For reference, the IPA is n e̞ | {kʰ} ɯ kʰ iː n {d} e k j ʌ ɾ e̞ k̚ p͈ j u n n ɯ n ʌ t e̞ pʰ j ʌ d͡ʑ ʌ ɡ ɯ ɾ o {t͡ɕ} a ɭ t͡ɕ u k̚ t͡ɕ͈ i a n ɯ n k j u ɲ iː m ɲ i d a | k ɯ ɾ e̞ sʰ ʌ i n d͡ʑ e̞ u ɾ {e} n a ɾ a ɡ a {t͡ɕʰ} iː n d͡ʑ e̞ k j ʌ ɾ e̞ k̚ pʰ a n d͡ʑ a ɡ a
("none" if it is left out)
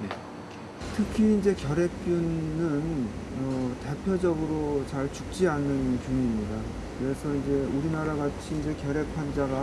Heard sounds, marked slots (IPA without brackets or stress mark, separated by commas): tʰ, d͡ʑ, t͡ɕ, i, t͡ɕʰ